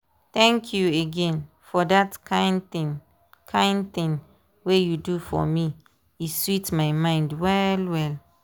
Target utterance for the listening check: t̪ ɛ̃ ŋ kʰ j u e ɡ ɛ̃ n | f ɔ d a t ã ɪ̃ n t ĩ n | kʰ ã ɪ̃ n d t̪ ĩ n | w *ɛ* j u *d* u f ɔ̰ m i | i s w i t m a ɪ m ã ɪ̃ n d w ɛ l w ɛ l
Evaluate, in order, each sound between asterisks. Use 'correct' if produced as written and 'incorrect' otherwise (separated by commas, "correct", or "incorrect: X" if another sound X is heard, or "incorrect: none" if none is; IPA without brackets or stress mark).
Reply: incorrect: e, correct